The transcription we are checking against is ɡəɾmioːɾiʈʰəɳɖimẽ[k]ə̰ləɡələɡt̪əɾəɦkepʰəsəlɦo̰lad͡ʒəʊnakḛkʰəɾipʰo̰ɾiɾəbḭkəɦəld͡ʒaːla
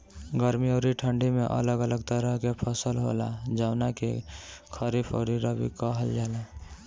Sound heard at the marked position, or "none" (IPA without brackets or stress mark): ʔ